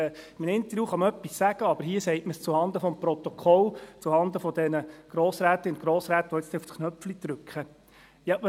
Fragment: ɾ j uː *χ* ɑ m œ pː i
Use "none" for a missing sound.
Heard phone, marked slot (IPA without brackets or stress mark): χ